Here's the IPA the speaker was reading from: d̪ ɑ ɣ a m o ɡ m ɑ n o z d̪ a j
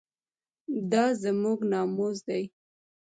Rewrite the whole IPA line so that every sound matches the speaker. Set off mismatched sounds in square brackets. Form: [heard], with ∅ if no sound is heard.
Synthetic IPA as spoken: d̪ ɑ [z] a m [u] ɡ [n] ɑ [m] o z d̪ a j